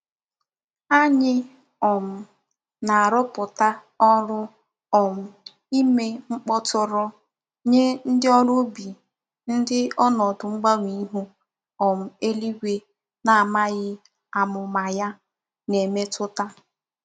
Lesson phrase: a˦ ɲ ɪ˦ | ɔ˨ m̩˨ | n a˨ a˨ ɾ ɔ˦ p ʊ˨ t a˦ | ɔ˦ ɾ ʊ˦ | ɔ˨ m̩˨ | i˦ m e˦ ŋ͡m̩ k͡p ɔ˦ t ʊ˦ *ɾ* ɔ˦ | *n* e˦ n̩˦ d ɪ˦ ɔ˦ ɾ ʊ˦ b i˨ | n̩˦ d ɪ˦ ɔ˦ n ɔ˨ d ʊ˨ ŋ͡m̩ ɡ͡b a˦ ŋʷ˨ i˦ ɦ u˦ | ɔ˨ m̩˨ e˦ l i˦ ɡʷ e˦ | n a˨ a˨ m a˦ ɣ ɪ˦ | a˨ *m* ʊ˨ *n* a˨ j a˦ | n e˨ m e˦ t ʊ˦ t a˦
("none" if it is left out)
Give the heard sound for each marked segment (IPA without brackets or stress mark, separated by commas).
ɾ, ɲ, m, m